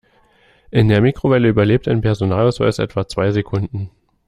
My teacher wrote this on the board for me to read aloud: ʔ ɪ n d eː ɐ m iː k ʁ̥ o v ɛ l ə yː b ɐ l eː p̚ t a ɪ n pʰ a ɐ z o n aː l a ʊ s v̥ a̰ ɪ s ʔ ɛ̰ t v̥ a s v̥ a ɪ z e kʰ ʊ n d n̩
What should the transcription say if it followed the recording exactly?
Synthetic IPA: ʔ ɪ n d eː ɐ m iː k ʁ̥ o v ɛ l ə yː b ɐ l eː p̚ t a ɪ n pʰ ɛ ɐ z o n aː l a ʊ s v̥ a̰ ɪ s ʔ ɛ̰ t v̥ a t͡s v̥ a ɪ z e kʰ ʊ n d n̩